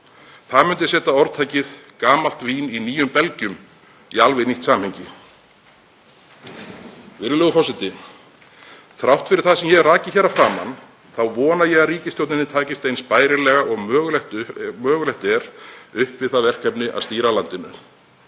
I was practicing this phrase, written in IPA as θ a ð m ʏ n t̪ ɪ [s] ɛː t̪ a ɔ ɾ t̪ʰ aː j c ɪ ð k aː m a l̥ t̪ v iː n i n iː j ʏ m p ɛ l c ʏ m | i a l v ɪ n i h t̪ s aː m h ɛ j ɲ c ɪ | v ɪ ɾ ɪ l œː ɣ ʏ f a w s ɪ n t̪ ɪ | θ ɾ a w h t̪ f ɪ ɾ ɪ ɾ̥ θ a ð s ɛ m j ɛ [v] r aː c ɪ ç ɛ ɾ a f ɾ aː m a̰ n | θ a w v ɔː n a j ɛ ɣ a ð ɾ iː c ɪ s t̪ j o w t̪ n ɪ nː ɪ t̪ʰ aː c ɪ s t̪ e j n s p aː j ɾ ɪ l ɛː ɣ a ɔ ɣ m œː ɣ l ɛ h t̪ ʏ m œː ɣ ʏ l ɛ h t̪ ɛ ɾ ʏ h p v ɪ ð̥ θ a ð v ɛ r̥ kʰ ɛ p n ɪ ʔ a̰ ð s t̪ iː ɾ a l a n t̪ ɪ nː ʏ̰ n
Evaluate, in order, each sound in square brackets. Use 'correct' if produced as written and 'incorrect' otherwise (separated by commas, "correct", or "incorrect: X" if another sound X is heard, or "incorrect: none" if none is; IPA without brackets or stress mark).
correct, incorrect: ɣ